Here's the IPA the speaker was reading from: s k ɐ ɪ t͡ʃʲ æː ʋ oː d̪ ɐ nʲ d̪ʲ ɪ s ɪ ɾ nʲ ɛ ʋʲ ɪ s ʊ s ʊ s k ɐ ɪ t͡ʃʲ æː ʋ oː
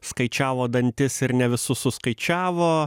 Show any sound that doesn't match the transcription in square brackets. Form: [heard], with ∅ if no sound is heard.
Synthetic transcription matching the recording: s k ɐ ɪ t͡ʃʲ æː ʋ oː d̪ ɐ nʲ [t̪ʲ] ɪ s ɪ ɾ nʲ ɛ ʋʲ ɪ s ʊ s ʊ s k ɐ ɪ t͡ʃʲ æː ʋ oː